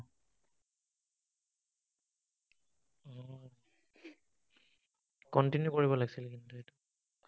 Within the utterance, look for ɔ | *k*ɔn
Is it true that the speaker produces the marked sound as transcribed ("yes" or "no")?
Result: yes